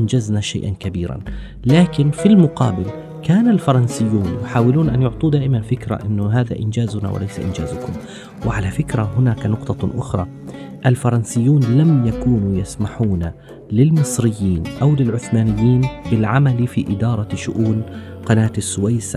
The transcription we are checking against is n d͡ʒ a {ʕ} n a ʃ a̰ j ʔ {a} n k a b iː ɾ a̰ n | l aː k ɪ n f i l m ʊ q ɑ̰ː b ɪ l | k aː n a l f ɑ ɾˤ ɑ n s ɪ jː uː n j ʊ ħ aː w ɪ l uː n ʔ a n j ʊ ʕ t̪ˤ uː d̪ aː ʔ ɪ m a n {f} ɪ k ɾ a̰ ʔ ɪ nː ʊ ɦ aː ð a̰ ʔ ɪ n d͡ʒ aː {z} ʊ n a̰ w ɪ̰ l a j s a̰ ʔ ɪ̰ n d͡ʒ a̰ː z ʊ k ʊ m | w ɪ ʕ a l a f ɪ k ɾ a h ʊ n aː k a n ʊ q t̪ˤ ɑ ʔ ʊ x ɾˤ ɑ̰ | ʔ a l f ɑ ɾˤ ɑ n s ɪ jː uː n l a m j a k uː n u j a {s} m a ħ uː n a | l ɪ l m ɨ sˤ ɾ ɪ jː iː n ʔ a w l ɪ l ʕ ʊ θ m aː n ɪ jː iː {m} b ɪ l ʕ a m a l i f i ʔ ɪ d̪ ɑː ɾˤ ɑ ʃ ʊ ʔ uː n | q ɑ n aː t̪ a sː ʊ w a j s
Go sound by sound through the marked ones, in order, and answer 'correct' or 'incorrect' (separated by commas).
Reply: incorrect, correct, correct, correct, correct, incorrect